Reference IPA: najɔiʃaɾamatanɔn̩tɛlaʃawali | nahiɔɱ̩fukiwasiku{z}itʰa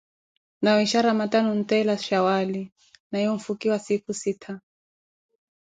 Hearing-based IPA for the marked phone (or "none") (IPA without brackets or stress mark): s